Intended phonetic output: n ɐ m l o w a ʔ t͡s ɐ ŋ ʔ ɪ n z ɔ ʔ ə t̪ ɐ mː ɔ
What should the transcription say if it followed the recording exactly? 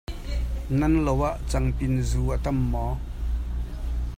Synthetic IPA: n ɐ n l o w a ʔ t͡s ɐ ŋ p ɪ n z u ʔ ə t̪ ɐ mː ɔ